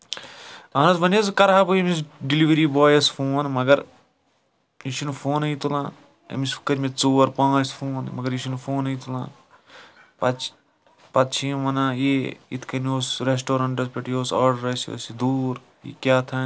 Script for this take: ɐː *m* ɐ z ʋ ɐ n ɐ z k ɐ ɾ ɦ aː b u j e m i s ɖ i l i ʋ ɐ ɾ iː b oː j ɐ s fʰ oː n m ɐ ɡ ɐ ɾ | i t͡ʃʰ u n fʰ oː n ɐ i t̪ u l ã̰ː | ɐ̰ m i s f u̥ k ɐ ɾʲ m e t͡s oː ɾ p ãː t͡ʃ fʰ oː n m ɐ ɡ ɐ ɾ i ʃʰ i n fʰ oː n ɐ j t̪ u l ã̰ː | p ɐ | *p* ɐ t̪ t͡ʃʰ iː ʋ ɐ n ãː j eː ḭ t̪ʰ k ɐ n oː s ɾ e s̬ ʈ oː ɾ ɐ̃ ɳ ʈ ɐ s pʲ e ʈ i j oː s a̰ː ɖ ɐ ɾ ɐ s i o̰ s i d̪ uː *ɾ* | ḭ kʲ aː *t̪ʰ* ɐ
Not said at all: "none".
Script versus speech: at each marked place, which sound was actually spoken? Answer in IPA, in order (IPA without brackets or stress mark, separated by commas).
n, p, ɾ, t̪ʰ